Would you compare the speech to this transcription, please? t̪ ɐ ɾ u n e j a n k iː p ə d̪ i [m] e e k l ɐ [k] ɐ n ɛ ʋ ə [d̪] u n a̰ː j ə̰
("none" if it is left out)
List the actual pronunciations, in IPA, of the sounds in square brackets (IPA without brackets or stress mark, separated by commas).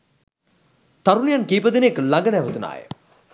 n, ɡ, t̪